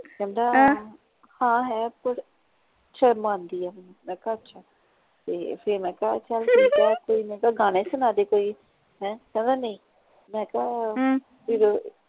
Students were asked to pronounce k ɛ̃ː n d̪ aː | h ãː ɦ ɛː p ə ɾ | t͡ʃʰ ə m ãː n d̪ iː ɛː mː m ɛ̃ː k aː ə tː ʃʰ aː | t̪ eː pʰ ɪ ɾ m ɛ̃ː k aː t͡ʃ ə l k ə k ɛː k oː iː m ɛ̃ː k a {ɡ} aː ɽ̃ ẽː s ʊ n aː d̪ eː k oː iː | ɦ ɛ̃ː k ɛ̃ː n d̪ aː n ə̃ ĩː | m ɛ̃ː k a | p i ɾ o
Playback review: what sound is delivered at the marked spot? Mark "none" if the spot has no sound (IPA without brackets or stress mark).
ɡ